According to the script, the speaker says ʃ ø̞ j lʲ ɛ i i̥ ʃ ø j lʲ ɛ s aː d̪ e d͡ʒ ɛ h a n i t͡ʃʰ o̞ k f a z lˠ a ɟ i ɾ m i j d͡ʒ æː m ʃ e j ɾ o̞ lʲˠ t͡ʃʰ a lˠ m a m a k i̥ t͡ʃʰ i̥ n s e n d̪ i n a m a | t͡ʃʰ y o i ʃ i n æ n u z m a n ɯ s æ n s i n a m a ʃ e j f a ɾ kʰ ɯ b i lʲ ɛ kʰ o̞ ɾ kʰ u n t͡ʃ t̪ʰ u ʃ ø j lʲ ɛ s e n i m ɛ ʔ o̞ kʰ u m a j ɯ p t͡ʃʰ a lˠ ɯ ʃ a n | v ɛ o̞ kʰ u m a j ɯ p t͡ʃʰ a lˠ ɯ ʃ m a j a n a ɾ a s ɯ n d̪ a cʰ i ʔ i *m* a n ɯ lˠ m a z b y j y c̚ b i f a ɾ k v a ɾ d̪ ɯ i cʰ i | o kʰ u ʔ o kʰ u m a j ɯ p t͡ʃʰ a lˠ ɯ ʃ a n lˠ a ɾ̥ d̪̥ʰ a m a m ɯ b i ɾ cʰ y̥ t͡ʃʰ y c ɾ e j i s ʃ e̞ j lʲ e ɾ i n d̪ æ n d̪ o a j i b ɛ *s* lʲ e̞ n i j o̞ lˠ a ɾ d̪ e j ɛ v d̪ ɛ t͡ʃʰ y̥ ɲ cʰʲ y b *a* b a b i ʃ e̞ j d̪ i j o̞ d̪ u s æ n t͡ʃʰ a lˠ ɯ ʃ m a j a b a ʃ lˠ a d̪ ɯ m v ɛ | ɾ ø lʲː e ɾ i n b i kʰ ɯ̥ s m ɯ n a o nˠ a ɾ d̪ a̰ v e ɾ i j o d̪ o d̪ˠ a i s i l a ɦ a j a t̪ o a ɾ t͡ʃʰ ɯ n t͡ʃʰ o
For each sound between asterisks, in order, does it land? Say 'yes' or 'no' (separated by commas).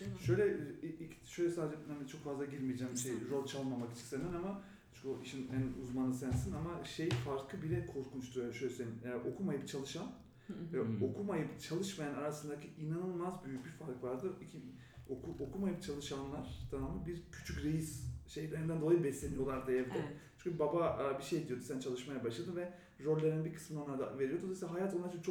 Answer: no, yes, yes